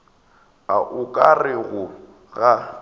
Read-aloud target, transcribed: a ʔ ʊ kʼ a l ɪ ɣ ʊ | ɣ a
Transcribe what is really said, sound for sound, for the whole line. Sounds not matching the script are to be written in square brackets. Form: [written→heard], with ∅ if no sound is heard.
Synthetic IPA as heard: a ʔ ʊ kʼ a [l→r] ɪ ɣ ʊ | ɣ a